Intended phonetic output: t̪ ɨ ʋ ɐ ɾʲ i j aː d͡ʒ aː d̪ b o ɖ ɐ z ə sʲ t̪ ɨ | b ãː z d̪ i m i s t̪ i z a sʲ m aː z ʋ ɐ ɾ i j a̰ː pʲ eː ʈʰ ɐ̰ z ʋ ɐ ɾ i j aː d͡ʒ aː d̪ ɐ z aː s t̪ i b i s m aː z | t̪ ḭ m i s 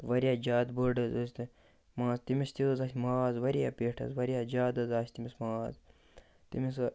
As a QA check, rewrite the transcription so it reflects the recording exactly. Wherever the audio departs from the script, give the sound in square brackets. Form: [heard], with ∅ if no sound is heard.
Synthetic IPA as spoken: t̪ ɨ ʋ ɐ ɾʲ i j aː d͡ʒ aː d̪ b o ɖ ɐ z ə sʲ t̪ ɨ | [m] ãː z [t̪] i m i s t̪ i z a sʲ m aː z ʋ ɐ ɾ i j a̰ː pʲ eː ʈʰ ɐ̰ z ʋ ɐ ɾ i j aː d͡ʒ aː d̪ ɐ z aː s t̪ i [m] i s m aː z | t̪ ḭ m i s